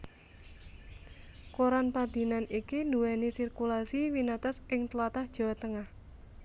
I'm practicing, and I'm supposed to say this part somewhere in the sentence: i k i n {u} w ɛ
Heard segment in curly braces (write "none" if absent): u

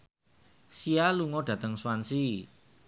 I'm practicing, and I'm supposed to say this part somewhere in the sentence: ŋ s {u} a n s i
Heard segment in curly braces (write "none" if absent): w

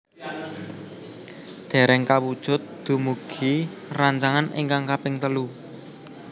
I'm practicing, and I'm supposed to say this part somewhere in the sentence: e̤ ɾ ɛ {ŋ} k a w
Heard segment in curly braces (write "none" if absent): ŋ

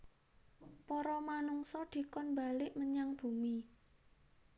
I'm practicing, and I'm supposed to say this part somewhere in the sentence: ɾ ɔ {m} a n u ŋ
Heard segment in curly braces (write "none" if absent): m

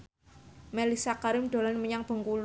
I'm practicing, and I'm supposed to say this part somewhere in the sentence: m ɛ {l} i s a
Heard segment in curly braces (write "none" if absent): l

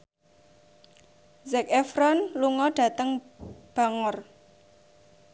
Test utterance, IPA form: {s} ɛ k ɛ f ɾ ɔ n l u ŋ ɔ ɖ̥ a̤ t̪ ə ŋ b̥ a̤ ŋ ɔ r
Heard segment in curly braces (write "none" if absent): z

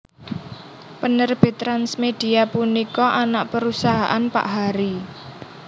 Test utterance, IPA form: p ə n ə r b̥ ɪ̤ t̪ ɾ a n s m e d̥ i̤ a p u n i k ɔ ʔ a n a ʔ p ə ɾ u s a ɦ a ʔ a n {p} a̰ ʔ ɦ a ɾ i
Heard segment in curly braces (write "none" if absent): p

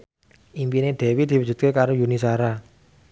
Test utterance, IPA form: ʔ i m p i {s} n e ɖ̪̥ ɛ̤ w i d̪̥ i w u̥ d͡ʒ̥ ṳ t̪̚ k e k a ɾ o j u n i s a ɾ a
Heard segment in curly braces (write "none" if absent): none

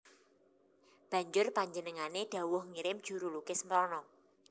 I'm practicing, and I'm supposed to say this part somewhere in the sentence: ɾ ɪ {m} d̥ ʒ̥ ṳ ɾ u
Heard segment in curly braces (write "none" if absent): m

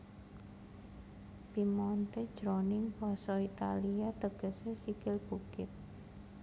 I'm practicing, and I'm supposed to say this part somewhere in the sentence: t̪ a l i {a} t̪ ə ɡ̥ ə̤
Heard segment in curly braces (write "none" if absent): a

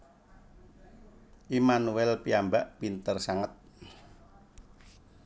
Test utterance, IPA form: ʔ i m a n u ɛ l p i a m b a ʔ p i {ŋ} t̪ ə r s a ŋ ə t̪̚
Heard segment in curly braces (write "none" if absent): n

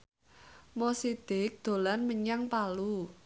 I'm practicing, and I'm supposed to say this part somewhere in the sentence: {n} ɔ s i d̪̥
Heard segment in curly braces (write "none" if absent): m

